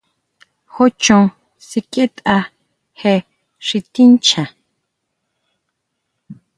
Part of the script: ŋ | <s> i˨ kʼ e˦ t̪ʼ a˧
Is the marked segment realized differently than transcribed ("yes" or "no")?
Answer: no